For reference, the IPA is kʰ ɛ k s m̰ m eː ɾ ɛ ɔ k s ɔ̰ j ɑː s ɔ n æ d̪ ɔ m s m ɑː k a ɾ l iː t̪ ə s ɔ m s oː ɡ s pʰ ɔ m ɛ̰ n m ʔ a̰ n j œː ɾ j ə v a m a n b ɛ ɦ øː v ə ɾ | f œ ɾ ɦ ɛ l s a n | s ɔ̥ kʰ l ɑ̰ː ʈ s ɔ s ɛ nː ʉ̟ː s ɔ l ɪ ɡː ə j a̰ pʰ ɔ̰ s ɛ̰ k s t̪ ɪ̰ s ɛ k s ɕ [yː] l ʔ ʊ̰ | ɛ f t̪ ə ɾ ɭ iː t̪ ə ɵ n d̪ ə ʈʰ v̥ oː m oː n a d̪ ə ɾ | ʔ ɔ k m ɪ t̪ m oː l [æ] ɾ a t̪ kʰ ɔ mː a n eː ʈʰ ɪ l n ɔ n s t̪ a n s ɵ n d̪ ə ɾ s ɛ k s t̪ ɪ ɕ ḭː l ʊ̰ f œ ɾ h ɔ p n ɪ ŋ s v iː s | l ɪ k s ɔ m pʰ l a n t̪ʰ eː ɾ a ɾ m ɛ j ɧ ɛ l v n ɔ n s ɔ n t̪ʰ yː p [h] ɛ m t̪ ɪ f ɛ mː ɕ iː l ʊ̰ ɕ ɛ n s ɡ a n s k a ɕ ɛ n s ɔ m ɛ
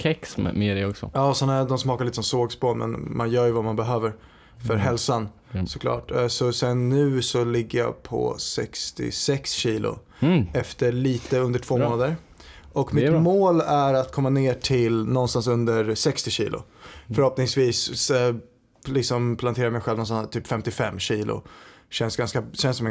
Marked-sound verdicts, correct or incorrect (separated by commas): incorrect, correct, incorrect